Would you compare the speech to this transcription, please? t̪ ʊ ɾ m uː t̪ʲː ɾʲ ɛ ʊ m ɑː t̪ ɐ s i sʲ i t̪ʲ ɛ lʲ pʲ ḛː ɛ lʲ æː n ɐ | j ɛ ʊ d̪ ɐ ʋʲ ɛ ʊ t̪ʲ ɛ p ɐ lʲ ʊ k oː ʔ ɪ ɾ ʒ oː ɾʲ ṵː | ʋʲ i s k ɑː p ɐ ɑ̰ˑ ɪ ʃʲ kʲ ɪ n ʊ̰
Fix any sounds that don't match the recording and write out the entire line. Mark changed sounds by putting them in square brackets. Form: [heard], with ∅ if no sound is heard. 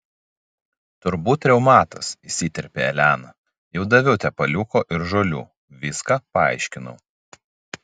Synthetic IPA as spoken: t̪ ʊ ɾ [b] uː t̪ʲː ɾʲ ɛ ʊ m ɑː t̪ ɐ s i sʲ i t̪ʲ ɛ [ɾʲ] pʲ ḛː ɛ lʲ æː n ɐ | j ɛ ʊ d̪ ɐ ʋʲ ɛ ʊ t̪ʲ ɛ p ɐ lʲ ʊ k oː ʔ ɪ ɾ ʒ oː [lʲ] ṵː | ʋʲ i s k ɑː p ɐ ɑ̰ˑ ɪ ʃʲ kʲ ɪ n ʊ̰